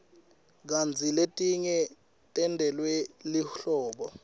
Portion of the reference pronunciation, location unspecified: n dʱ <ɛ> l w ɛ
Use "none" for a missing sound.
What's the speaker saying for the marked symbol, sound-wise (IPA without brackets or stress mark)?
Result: ɛ